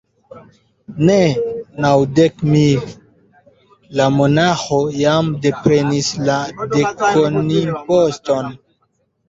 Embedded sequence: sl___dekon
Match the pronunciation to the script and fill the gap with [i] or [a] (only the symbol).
a